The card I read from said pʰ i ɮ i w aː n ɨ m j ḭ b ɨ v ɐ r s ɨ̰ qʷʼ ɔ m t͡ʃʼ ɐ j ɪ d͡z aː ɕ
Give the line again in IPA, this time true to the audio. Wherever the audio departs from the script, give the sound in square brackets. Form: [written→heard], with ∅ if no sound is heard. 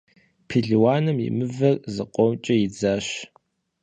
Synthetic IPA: pʰ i ɮ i w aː n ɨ m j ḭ [b→m] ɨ v ɐ r [s→z] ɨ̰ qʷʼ ɔ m t͡ʃʼ ɐ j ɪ d͡z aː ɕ